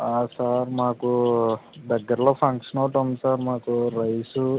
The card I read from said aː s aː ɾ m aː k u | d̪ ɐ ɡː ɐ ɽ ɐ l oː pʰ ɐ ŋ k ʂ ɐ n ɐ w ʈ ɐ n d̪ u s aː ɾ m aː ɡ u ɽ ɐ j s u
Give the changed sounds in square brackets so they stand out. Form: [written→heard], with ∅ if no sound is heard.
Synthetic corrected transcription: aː s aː ɾ m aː k u | d̪ ɐ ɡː ɐ [ɽ→ɾ] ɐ l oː pʰ ɐ ŋ k ʂ ɐ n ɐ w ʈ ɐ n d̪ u s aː ɾ m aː [ɡ→k] u [ɽ→ɾ] ɐ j s u

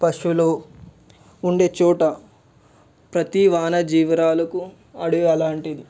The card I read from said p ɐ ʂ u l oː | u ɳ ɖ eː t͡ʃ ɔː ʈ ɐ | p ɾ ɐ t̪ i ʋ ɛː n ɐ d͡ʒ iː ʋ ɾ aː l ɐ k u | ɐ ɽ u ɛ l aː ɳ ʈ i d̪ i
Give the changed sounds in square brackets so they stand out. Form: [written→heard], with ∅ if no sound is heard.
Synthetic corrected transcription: p ɐ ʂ u l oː | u ɳ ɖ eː t͡ʃ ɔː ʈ ɐ | p ɾ ɐ t̪ i ʋ [ɛː→aː] n ɐ d͡ʒ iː ʋ ɾ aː l ɐ k u | ɐ ɽ u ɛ l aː ɳ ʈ i d̪ i

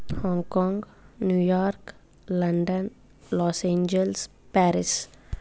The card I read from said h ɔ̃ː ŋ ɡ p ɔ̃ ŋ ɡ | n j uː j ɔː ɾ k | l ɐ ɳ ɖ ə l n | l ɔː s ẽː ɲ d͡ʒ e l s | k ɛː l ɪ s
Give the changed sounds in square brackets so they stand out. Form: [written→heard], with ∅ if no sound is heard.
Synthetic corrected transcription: h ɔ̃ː ŋ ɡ [p→k] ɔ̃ ŋ ɡ | n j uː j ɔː ɾ k | l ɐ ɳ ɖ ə [l→∅] n | l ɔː s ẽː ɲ d͡ʒ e l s | [k→p] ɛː [l→ɾ] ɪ s

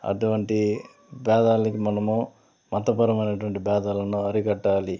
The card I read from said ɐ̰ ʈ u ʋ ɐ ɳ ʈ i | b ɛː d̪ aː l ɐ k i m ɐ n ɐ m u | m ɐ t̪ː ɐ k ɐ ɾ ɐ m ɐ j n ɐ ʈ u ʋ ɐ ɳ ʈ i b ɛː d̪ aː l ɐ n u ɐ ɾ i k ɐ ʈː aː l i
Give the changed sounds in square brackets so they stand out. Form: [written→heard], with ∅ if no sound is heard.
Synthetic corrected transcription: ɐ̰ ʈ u ʋ ɐ ɳ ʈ i | b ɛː d̪ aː l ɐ k i m ɐ n ɐ m u | m ɐ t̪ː ɐ [k→p] ɐ ɾ ɐ m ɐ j n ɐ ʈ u ʋ ɐ ɳ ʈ i b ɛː d̪ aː l ɐ n u ɐ ɾ i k ɐ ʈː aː l i

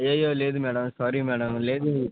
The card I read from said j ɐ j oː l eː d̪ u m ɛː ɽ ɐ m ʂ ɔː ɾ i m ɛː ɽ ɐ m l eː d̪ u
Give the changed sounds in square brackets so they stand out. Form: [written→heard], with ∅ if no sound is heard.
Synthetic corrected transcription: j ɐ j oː l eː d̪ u m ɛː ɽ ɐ m [ʂ→s] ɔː ɾ i m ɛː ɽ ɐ m l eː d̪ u

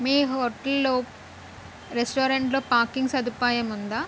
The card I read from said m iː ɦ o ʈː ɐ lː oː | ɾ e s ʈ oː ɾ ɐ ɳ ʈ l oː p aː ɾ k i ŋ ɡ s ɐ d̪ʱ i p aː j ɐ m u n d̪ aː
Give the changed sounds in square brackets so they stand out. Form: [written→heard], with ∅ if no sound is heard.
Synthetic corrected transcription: m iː ɦ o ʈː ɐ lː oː | ɾ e s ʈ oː ɾ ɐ ɳ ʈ l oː p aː ɾ k i ŋ ɡ s ɐ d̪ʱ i p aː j ɐ m u n d̪ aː

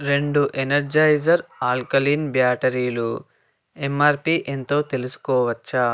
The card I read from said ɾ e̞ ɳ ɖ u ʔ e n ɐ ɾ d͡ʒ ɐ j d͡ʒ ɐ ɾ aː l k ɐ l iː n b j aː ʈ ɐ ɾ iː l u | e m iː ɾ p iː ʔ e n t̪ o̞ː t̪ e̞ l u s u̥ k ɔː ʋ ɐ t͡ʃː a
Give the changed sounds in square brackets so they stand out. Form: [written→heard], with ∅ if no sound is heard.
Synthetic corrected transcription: ɾ e̞ ɳ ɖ u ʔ e n ɐ ɾ d͡ʒ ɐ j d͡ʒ ɐ ɾ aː l k ɐ l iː n b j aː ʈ ɐ ɾ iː l u | e m [iː→aː] ɾ p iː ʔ e n t̪ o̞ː t̪ e̞ l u s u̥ k ɔː ʋ ɐ t͡ʃː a

